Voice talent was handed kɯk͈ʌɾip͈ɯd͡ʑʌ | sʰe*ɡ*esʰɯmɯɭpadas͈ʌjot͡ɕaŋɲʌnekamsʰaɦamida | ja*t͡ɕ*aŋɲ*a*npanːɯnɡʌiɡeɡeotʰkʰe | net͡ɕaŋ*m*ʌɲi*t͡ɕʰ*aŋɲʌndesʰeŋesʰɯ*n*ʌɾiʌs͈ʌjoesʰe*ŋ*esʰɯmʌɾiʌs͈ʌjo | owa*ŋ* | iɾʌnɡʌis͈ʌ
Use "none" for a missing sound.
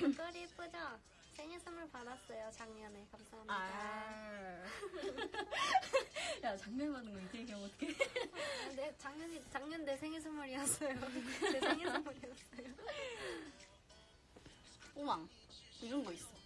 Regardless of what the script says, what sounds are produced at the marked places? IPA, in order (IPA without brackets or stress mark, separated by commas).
ŋ, t͡ɕ, ʌ, ɲ, t͡ɕ, m, ŋ, ŋ